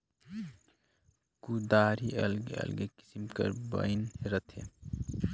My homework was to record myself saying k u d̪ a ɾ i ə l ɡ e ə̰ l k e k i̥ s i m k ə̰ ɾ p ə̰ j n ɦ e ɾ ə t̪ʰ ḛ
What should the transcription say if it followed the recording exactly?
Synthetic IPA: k u d̪ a ɾ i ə l ɡ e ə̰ l ɡ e k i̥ s i m k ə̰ ɾ b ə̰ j n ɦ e ɾ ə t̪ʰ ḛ